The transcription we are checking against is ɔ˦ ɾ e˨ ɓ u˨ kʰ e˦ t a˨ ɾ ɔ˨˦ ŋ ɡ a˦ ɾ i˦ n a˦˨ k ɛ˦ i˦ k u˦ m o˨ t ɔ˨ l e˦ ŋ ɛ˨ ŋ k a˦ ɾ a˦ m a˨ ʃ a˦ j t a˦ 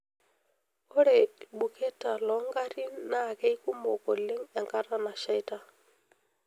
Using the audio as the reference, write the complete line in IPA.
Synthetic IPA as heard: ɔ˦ ɾ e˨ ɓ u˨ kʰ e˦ t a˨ l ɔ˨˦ ŋ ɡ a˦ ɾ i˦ n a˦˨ k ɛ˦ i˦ k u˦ m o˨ k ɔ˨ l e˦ ŋ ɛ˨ ŋ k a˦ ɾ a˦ n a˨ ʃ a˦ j t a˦